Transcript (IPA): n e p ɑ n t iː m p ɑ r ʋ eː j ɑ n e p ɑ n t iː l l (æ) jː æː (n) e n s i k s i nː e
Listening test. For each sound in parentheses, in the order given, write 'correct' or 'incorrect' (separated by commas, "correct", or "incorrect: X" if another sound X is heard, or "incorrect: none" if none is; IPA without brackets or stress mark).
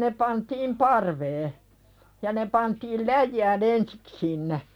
correct, correct